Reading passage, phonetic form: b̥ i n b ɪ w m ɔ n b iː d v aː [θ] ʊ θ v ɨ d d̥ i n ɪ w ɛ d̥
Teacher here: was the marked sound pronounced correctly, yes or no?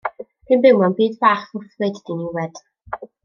no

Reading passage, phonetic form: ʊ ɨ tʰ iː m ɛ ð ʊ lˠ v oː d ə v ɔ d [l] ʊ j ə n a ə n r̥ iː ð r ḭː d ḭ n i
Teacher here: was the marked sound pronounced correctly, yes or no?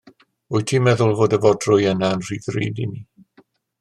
no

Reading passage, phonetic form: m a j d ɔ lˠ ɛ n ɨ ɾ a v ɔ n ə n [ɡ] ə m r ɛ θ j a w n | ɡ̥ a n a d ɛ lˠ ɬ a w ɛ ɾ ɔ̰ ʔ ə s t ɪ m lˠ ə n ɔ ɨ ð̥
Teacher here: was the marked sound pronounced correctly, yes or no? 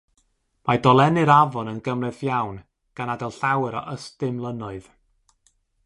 yes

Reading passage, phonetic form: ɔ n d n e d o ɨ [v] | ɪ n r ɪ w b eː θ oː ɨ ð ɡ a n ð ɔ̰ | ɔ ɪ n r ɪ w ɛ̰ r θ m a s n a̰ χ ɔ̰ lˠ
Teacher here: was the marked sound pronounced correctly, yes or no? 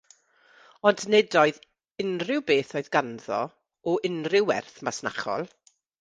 no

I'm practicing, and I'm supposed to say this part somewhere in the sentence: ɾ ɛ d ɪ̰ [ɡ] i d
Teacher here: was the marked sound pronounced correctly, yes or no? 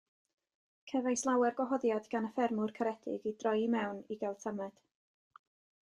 yes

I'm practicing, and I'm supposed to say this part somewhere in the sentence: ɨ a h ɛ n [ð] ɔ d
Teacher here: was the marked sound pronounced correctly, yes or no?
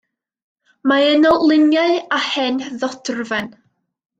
yes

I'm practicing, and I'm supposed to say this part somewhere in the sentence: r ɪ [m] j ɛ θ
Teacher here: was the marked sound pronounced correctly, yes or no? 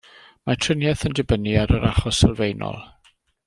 no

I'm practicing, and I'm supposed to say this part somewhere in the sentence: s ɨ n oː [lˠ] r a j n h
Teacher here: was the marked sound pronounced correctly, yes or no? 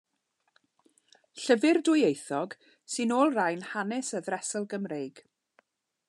yes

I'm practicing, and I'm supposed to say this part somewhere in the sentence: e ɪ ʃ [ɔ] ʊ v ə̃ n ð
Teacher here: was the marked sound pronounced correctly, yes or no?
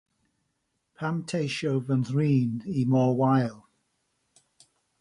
no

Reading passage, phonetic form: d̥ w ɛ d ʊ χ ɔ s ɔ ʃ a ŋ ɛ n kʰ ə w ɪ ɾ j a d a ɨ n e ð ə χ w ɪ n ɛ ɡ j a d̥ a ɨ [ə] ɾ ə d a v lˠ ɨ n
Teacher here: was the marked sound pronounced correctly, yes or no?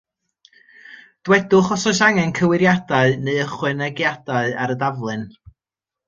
no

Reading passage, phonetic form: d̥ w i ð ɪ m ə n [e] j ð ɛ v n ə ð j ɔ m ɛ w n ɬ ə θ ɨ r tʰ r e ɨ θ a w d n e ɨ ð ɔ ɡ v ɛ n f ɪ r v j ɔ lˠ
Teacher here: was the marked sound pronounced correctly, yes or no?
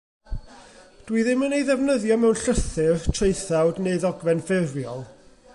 yes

